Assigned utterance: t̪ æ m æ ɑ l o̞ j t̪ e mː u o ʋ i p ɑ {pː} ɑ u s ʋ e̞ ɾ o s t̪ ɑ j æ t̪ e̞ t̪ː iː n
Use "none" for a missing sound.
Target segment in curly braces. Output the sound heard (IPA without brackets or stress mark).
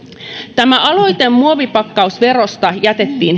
kː